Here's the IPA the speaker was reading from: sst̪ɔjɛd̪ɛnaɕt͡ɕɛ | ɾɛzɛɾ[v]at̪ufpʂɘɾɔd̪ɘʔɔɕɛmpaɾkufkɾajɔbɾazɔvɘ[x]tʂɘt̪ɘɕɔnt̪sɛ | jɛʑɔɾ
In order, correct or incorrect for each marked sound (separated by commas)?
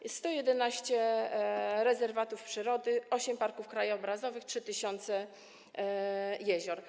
correct, correct